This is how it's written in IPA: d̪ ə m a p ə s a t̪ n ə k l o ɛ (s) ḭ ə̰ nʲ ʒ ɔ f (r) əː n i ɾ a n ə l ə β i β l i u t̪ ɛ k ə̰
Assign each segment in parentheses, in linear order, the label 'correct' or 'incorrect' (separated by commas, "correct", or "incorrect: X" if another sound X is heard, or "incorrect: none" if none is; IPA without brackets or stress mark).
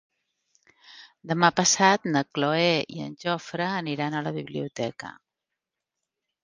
incorrect: none, incorrect: ɾ